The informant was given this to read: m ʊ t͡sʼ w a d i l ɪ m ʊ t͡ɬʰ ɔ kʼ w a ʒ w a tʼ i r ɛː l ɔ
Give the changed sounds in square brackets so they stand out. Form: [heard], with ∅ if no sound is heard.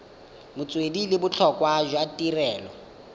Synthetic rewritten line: m ʊ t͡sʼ w [e] d i l ɪ [b] ʊ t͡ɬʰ ɔ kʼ w a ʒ w a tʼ i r ɛː l ɔ